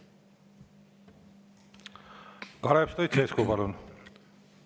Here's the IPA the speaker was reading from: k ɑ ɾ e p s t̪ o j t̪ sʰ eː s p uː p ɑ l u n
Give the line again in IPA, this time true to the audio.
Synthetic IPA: k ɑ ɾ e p s t̪ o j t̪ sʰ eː s k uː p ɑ l u n